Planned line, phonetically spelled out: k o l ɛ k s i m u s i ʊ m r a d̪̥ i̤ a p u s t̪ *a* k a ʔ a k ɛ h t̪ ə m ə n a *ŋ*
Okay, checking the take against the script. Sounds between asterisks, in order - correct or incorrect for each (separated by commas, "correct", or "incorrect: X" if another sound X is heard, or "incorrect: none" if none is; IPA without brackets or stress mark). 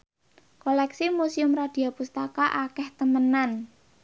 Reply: correct, incorrect: n